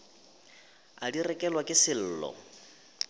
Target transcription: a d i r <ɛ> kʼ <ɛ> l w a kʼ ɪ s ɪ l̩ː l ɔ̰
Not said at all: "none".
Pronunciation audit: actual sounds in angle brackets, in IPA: ɛ, ɛ

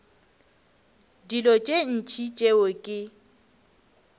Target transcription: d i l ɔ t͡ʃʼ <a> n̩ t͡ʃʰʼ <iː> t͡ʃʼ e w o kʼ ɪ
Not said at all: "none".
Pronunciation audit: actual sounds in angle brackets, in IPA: e, i

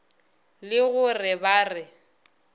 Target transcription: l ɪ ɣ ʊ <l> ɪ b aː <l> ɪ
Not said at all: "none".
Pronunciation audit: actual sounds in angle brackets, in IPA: r, r

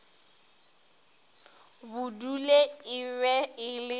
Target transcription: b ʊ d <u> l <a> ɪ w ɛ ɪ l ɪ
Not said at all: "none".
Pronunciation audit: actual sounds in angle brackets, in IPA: u, e

